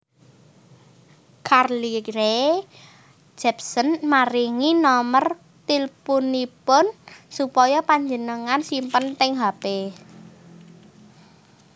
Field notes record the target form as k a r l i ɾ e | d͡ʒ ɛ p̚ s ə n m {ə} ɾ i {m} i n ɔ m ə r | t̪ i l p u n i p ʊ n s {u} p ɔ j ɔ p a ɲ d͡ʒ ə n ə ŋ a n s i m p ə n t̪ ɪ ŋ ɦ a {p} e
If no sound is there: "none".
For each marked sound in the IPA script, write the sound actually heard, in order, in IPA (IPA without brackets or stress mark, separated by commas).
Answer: a, ŋ, u, p